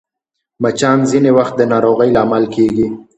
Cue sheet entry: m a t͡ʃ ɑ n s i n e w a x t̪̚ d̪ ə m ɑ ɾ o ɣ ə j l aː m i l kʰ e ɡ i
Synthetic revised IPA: m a t͡ʃ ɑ n z i n e w a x t̪̚ d̪ ə n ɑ ɾ o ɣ ə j l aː m a l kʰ e ɡ i